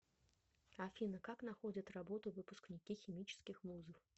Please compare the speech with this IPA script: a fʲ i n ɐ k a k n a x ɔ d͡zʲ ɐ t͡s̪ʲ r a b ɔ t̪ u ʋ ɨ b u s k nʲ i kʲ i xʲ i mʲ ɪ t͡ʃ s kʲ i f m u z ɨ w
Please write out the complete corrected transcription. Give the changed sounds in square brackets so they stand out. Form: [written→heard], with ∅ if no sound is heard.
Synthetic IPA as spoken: a fʲ i n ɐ k a k n a x ɔ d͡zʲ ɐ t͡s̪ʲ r a b ɔ t̪ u [ʋ→v] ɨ [b→p] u s k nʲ i kʲ i xʲ i mʲ [ɪ→i] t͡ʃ s kʲ i [f→x] m u z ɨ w